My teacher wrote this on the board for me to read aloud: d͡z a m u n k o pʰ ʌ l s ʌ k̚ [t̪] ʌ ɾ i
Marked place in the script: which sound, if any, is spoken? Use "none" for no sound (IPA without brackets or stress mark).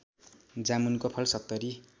t̪